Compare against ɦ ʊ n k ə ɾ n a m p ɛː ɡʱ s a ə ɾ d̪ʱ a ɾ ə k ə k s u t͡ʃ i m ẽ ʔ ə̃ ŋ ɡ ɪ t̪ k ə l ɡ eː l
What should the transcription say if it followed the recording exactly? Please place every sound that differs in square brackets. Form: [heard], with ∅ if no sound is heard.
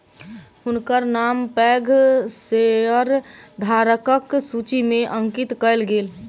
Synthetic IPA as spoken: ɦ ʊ n k ə ɾ n a m p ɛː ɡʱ s [e] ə ɾ d̪ʱ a ɾ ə k ə k s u t͡ʃ i m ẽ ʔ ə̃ ŋ [k] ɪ t̪ k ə l ɡ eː l